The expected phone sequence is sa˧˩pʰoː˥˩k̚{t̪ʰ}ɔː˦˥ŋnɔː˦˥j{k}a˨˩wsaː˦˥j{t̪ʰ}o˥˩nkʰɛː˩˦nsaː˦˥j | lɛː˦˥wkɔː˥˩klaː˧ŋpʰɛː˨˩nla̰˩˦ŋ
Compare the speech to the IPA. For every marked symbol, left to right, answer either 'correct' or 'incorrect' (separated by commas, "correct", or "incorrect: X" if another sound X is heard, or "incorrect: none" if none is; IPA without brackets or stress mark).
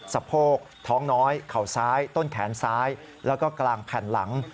correct, incorrect: kʰ, incorrect: t̪